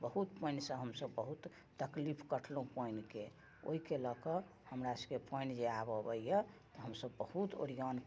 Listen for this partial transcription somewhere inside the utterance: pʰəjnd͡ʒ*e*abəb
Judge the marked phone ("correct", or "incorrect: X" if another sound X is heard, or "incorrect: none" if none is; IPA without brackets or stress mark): correct